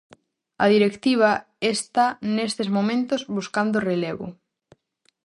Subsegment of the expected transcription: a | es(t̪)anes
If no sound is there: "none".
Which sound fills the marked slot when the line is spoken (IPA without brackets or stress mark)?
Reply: t̪